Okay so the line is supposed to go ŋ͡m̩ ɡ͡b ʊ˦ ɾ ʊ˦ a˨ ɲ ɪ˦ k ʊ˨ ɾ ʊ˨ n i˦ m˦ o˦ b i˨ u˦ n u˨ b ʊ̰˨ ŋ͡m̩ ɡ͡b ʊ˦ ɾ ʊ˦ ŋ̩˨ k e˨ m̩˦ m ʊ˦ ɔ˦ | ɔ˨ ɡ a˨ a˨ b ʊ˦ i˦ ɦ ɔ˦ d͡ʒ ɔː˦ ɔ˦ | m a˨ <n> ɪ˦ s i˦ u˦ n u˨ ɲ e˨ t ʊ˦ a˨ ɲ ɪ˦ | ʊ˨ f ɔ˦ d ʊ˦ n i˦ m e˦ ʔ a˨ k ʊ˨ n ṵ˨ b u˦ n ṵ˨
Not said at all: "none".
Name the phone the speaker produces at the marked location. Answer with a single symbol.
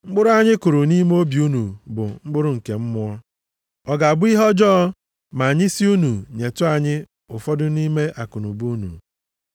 ɲ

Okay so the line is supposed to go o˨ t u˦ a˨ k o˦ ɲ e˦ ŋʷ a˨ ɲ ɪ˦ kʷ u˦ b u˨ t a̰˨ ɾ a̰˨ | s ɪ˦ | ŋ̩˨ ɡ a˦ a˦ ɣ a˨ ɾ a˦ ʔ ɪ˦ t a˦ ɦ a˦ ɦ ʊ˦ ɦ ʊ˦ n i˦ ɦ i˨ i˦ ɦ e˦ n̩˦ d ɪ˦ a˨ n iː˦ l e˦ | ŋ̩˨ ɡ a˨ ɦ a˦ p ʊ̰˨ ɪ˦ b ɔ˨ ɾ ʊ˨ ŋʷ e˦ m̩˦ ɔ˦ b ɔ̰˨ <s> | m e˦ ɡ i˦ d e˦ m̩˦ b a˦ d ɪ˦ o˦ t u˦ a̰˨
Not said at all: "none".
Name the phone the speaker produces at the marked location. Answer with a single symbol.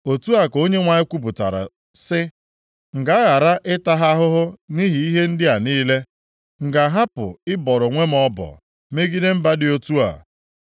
none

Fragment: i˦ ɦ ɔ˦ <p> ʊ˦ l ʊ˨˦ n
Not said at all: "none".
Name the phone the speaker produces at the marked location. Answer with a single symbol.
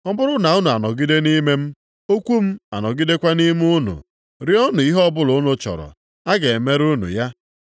b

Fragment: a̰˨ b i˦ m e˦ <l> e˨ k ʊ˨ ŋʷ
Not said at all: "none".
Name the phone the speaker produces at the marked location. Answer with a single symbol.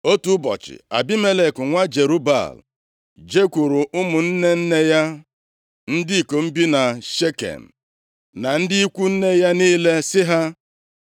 l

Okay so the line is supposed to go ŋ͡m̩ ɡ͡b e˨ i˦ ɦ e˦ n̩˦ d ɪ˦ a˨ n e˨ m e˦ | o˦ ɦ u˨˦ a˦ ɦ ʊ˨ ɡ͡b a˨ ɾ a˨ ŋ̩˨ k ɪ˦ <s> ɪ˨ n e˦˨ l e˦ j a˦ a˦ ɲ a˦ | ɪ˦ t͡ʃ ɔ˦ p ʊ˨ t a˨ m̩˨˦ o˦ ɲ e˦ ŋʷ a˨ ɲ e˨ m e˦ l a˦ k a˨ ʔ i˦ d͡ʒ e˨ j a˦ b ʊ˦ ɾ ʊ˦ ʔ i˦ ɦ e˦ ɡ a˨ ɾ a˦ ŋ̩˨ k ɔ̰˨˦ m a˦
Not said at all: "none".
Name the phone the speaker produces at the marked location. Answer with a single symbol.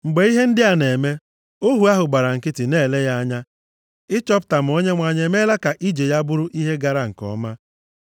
t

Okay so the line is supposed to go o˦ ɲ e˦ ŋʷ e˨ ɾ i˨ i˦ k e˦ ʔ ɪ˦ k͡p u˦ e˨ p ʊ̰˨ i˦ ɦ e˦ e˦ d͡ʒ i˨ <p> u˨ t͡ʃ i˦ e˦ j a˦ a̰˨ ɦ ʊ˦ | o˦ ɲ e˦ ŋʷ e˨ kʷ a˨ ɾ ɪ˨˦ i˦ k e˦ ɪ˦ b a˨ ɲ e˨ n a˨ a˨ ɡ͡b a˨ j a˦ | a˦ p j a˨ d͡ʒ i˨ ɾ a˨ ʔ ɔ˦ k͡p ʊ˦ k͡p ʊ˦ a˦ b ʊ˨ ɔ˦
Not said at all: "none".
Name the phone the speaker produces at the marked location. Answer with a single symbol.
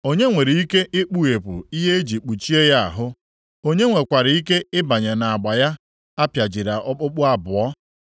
k͡p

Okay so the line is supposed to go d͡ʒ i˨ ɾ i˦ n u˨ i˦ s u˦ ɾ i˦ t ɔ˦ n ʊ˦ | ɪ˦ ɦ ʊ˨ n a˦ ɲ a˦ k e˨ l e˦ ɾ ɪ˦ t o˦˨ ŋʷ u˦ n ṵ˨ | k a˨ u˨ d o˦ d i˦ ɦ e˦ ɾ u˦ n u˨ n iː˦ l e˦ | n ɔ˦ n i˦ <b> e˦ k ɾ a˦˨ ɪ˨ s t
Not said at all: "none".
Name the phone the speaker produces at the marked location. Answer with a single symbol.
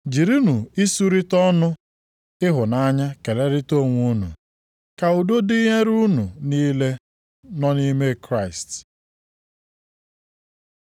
m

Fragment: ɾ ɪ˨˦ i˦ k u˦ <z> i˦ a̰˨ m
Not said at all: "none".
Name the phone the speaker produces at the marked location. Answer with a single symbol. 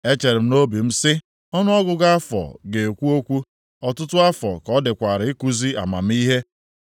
z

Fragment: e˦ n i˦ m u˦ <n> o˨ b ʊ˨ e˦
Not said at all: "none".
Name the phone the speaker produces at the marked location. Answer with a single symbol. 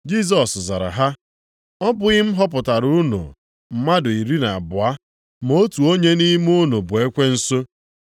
n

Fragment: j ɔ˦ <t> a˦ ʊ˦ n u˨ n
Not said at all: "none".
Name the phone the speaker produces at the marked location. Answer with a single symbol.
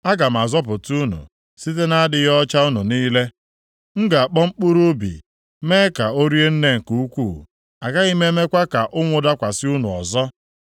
t͡ʃ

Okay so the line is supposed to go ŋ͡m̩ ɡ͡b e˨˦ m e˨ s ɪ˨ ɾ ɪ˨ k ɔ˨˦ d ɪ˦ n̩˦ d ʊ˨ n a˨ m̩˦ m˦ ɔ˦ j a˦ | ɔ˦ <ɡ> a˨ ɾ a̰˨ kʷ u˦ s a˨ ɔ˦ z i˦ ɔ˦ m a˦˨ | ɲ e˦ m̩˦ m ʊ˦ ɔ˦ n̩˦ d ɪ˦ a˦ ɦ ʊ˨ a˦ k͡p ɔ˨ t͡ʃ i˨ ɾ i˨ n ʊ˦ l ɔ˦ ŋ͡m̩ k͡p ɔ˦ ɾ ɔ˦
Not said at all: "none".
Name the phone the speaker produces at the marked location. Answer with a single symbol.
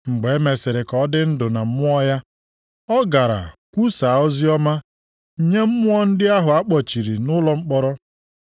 ɡ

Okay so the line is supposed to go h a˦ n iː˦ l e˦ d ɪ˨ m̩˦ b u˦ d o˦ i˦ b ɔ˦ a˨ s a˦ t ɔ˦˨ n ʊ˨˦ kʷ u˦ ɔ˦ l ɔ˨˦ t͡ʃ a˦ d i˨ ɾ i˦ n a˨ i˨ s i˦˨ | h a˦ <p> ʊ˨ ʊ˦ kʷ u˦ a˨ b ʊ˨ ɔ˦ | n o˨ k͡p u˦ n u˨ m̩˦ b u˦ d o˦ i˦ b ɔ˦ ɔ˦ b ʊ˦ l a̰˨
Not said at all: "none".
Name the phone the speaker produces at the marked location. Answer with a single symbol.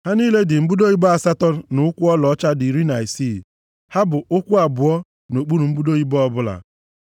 b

